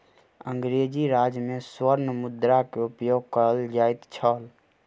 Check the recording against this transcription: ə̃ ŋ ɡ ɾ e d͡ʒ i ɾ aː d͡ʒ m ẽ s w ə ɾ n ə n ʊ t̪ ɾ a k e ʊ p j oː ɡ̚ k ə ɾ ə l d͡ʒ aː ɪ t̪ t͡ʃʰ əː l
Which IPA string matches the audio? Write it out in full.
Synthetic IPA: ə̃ ŋ ɡ ɾ e d͡ʒ i ɾ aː d͡ʒ m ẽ s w ə ɾ n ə m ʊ d̪ ɾ a k e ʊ p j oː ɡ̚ k ə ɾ ə l d͡ʒ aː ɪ t̪ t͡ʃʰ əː l